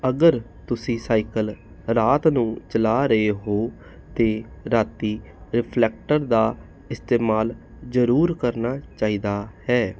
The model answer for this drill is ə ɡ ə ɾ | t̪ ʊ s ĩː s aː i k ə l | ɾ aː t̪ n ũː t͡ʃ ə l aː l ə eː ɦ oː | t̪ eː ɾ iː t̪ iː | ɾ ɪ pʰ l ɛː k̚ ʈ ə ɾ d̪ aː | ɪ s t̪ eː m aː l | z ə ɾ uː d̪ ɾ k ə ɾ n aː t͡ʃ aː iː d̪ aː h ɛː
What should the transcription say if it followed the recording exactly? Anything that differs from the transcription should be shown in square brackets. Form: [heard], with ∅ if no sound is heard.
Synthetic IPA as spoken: ə ɡ ə ɾ | t̪ ʊ s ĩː s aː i k ə l | ɾ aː t̪ n ũː t͡ʃ ə l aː [ɾ] ə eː ɦ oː | t̪ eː ɾ [aː] t̪ iː | ɾ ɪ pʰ l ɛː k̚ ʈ ə ɾ d̪ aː | ɪ s t̪ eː m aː l | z ə ɾ uː [∅] ɾ k ə ɾ n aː t͡ʃ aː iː d̪ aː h ɛː